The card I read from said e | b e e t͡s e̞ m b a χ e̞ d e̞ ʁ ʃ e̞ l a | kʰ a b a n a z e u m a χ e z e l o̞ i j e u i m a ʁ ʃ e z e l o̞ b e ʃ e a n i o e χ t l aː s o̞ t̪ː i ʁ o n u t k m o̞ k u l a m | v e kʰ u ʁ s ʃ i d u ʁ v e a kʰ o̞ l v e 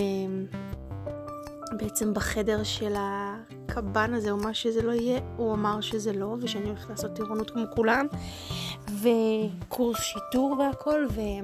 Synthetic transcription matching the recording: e | b e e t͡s e̞ m b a χ e̞ d e̞ ʁ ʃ e̞ l a | kʰ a b a n a z e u m a ʃ e z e l o̞ i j e u a m a ʁ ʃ e z e l o̞ v e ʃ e a n i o e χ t l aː s o̞ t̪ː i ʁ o n u t k m o̞ k u l a m | v e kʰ u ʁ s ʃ i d u ʁ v e a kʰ o̞ l v e